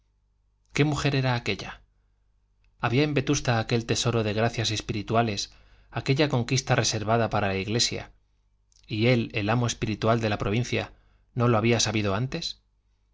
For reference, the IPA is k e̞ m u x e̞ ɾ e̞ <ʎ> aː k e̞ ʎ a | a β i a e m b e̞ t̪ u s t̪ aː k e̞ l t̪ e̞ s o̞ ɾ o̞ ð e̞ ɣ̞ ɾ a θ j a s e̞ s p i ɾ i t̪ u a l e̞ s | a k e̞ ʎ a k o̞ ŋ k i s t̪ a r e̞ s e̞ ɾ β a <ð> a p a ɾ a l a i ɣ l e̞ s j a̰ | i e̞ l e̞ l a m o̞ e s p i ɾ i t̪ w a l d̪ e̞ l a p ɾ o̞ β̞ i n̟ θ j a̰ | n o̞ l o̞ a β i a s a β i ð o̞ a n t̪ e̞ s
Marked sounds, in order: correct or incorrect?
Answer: incorrect: ɾ, correct

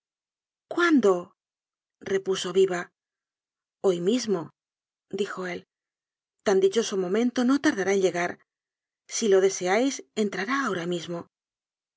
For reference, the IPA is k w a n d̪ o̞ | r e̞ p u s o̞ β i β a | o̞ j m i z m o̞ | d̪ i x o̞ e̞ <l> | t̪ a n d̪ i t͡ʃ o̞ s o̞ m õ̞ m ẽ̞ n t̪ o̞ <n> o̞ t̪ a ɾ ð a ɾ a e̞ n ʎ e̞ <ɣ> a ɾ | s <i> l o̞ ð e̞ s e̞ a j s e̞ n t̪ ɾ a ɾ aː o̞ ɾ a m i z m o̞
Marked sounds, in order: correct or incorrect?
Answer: correct, correct, correct, correct

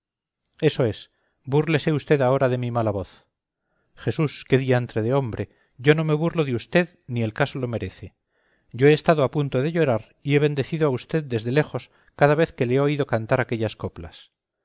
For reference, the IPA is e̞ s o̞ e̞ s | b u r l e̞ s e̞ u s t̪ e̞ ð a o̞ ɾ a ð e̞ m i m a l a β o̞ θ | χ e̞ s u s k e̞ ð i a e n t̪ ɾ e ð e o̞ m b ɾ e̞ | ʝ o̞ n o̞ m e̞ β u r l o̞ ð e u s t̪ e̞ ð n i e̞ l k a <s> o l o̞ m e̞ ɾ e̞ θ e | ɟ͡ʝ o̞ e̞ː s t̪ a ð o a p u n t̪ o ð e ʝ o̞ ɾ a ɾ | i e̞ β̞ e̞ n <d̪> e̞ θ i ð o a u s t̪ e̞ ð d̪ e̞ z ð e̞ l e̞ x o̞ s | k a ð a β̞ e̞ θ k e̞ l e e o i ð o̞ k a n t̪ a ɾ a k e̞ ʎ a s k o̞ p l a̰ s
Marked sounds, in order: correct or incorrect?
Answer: correct, correct

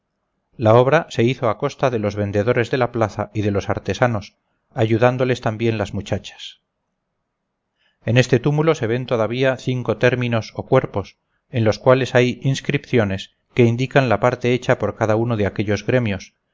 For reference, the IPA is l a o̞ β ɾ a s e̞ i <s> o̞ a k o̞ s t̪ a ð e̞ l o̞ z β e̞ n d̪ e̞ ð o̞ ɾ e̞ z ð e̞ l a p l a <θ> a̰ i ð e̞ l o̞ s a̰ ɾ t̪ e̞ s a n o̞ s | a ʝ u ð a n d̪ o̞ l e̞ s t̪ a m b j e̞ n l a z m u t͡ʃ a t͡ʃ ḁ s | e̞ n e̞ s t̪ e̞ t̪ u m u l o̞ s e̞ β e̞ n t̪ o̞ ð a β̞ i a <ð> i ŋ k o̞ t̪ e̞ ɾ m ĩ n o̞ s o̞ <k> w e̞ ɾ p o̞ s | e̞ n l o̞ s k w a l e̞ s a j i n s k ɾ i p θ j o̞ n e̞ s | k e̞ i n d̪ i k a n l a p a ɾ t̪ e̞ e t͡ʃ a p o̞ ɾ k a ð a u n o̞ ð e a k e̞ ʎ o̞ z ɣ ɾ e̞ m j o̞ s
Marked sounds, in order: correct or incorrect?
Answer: incorrect: θ, correct, incorrect: θ, correct

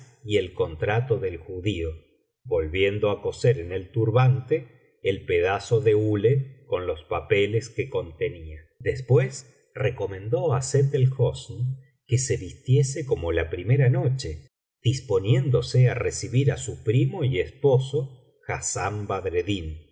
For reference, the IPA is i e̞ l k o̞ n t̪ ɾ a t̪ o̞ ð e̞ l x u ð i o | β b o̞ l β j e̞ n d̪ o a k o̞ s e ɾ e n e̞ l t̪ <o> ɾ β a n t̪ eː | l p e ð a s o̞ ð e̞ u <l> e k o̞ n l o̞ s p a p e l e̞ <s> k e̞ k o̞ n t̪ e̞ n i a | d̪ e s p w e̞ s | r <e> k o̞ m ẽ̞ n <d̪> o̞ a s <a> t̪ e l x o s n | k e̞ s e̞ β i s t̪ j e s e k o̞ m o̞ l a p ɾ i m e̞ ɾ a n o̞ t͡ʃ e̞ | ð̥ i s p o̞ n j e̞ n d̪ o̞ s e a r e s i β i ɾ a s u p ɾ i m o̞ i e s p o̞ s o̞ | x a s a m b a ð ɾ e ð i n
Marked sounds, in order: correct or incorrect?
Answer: incorrect: u, correct, correct, correct, correct, incorrect: e

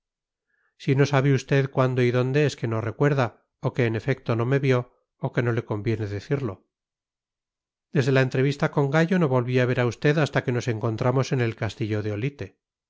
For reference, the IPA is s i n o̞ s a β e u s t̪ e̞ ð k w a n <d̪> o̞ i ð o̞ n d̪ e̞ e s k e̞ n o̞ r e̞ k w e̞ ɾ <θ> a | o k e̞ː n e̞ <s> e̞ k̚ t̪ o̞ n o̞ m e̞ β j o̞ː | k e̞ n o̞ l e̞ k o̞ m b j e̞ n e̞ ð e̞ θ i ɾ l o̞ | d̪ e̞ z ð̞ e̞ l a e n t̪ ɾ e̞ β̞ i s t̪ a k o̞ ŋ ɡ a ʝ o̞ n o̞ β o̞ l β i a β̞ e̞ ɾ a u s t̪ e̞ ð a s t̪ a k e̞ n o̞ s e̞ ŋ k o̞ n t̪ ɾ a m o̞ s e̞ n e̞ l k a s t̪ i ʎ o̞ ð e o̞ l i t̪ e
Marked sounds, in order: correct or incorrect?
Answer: correct, incorrect: ð, incorrect: f

